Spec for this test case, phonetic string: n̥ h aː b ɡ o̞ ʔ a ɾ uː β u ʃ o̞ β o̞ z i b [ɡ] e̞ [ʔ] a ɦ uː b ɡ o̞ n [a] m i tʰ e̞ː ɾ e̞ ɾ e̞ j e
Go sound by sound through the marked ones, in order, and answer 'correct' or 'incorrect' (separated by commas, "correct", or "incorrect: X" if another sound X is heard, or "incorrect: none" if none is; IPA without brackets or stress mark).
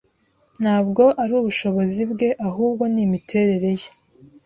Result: correct, correct, incorrect: i